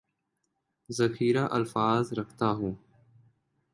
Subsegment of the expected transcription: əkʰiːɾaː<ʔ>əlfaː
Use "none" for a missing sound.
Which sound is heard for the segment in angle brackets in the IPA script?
ʔ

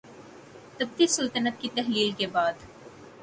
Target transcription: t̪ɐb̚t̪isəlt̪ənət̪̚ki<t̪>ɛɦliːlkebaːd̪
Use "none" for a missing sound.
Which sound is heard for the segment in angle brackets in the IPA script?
t̪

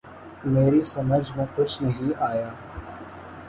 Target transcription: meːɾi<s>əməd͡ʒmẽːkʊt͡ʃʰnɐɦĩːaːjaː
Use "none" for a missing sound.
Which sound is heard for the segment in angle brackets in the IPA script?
s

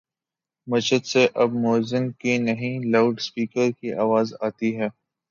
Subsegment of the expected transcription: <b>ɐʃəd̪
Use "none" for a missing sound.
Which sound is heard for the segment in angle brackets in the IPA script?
m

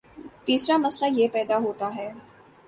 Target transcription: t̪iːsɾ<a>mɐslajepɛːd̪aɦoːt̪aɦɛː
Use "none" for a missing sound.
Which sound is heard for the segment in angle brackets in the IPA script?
a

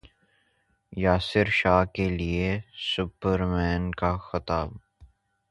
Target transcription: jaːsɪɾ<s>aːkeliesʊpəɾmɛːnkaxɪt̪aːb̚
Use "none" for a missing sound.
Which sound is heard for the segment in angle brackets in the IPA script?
ʃ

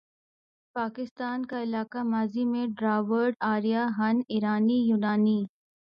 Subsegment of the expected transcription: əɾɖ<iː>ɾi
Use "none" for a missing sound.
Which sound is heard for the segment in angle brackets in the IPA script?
aː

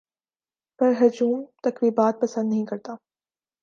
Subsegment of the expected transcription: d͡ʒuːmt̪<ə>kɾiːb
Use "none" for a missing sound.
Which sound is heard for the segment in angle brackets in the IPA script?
ɐ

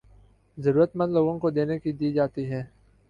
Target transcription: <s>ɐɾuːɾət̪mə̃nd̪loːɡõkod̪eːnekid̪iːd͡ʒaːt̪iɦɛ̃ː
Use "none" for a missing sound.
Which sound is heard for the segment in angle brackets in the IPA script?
z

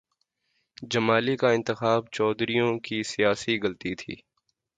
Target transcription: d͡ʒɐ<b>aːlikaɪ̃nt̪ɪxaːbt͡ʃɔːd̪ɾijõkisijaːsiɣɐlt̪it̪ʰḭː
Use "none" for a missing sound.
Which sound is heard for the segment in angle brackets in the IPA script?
m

